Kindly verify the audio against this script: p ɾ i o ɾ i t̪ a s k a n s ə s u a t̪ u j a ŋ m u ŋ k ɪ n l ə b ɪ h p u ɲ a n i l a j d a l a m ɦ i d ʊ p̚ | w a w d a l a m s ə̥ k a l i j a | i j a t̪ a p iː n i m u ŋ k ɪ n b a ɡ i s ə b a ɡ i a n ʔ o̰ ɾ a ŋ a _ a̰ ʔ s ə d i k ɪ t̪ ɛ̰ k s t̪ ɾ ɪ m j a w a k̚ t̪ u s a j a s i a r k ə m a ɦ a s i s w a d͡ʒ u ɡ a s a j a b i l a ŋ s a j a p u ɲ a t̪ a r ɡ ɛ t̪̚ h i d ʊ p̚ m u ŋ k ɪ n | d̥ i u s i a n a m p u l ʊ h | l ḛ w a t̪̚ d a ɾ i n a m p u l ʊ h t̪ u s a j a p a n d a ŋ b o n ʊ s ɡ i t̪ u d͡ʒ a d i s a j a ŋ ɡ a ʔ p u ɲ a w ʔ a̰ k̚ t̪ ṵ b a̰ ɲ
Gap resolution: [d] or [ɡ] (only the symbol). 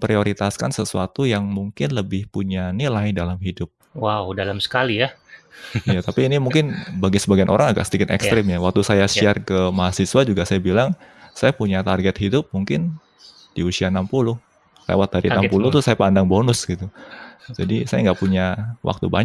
ɡ